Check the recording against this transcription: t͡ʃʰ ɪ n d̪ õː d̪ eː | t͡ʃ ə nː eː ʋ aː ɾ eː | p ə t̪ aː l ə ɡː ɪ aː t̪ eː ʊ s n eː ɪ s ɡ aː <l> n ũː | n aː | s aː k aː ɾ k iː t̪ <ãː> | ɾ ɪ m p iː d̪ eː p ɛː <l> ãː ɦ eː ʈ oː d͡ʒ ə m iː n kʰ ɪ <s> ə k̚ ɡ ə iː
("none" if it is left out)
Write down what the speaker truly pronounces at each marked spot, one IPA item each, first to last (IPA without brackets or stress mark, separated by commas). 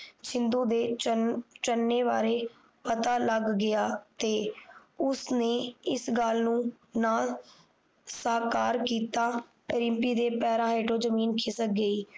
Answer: l, aː, ɾ, s